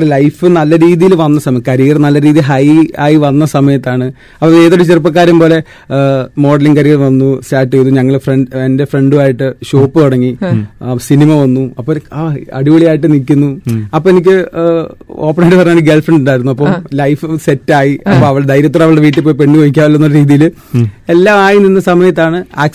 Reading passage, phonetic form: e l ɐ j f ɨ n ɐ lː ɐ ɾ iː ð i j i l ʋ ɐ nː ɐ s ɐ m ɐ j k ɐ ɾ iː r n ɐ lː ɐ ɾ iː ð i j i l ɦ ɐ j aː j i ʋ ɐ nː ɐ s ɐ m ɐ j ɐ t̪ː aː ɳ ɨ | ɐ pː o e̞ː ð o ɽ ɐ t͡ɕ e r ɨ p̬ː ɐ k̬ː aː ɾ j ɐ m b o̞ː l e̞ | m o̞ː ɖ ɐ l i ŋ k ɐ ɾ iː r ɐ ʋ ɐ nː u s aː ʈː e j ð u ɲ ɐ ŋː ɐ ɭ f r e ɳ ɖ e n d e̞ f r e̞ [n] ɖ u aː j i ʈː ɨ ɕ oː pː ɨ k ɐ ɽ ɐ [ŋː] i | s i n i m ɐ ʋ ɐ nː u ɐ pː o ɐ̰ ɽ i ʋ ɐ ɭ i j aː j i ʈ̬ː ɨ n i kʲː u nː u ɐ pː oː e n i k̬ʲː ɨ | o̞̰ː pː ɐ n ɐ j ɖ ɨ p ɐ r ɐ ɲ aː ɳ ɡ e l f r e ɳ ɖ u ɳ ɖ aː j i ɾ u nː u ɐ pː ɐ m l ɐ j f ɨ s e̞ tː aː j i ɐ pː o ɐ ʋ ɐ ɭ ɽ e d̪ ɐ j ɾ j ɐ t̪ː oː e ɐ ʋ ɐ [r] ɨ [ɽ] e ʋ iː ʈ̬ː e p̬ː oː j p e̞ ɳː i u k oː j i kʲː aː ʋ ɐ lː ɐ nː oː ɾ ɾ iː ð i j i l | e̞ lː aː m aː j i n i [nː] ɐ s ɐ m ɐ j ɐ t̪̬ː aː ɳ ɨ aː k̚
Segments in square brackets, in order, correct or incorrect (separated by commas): incorrect, correct, incorrect, correct, correct